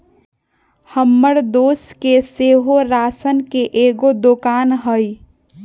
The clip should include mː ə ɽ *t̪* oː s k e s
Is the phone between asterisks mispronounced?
yes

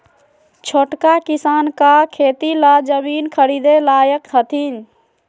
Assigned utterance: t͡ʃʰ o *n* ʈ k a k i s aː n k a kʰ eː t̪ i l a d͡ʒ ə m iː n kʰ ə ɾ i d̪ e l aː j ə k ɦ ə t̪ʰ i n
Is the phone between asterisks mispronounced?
yes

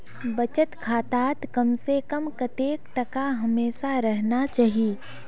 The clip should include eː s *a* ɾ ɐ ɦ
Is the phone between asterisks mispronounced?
no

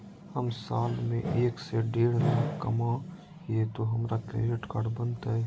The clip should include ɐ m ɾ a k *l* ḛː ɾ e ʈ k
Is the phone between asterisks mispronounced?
yes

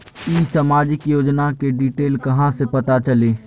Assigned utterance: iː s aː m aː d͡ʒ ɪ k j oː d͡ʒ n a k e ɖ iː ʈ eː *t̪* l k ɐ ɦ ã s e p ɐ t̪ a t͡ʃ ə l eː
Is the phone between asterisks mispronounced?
yes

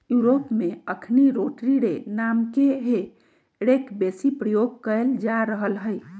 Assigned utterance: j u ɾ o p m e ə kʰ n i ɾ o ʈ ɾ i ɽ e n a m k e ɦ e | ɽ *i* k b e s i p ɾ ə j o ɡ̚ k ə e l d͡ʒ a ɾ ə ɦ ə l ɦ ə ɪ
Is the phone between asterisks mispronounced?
yes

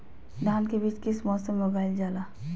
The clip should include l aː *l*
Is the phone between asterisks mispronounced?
yes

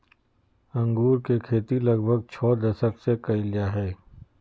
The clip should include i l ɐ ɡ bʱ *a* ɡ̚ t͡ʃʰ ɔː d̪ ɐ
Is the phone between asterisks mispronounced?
yes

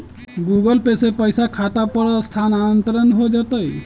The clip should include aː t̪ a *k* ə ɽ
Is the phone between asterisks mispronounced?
yes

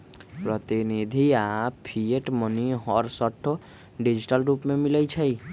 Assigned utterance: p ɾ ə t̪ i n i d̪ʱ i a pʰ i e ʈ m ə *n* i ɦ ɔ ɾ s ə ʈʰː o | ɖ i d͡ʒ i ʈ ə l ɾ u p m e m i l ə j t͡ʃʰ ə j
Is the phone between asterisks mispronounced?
no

